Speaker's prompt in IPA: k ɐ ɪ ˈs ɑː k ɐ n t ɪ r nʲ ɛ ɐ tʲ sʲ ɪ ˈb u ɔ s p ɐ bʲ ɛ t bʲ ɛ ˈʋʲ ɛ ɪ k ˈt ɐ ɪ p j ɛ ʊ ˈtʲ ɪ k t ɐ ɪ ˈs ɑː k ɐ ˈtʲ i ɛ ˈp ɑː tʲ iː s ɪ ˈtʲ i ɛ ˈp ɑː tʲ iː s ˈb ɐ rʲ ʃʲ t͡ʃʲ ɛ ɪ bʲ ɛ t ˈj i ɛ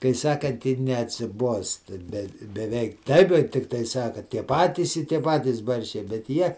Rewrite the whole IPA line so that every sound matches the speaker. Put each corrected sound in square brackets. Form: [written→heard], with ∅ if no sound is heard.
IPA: k ɐ ɪ ˈs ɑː k ɐ n t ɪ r nʲ ɛ ɐ tʲ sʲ ɪ ˈb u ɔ s [p→t] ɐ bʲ ɛ t bʲ ɛ ˈʋʲ ɛ ɪ k ˈt ɐ ɪ p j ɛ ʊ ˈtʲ ɪ k t ɐ ɪ ˈs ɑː k ɐ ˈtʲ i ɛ ˈp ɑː tʲ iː s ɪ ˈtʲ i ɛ ˈp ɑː tʲ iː s ˈb ɐ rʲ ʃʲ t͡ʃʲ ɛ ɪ bʲ ɛ t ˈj i ɛ